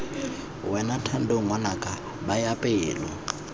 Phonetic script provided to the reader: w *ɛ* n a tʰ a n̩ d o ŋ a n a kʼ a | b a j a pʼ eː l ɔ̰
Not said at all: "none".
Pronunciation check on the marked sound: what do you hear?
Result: ɛ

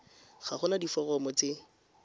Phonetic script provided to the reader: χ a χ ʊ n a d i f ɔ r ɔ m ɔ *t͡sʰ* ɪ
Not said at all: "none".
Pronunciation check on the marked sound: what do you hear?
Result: t͡s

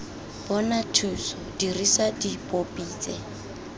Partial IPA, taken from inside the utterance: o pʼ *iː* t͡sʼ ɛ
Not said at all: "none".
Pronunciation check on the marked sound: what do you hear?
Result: iː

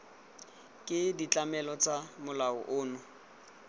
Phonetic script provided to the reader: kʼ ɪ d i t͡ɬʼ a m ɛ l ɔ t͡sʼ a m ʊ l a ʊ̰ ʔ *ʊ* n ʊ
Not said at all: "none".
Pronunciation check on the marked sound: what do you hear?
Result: ʊː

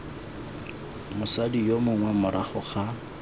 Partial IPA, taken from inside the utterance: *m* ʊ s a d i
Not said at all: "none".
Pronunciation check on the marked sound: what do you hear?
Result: m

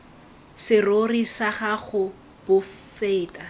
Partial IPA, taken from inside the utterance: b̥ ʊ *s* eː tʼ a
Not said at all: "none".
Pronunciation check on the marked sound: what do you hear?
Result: f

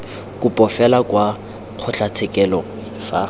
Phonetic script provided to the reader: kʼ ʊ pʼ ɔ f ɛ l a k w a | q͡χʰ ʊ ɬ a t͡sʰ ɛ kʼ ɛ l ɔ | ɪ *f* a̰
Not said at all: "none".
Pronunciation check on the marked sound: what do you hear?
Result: f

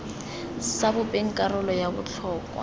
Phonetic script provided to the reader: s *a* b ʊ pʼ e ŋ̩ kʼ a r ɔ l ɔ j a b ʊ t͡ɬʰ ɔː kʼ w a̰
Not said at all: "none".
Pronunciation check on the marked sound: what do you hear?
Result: a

